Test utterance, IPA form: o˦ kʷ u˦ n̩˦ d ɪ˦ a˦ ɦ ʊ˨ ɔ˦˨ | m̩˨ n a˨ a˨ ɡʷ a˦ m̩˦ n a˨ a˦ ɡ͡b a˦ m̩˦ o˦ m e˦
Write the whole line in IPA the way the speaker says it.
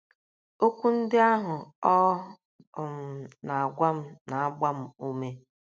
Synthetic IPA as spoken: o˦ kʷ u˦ n̩˦ d ɪ˦ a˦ ɦ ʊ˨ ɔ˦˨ | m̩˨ n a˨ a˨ ɡʷ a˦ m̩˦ n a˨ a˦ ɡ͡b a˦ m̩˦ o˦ m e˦